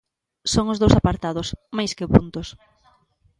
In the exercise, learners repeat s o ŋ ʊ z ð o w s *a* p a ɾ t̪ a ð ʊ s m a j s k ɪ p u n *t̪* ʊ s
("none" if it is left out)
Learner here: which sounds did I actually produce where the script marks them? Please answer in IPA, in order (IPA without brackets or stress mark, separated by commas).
a, t̪